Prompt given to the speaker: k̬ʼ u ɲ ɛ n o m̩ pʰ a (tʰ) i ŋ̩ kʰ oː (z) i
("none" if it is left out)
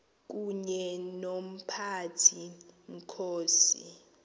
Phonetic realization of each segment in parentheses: tʰ, s

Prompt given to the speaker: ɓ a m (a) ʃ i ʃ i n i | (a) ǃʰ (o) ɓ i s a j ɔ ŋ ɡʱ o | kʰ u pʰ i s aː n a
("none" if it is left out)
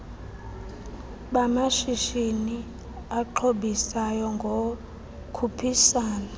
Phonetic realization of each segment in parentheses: a, a, o

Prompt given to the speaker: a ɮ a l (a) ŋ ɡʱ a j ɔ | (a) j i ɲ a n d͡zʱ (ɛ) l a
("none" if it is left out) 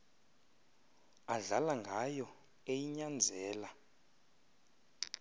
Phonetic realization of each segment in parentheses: a, e, ɛː

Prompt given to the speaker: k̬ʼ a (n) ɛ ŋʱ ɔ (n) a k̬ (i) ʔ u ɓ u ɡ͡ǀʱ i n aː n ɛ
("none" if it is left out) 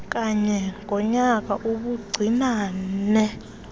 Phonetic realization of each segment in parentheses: ɲ, ɲ, a

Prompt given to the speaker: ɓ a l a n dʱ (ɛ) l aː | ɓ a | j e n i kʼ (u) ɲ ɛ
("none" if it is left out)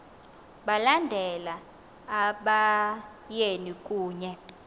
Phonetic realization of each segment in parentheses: ɛ, uː

